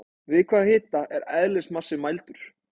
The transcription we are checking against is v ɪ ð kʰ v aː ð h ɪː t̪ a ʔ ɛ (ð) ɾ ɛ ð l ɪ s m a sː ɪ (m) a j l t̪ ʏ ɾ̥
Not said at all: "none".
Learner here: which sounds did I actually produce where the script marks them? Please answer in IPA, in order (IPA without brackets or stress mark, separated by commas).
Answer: none, m